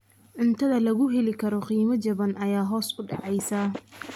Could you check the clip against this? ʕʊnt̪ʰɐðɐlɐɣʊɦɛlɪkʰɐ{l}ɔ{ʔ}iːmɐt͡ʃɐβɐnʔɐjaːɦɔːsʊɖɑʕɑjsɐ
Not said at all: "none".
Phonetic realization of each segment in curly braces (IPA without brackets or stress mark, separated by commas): ɾ, q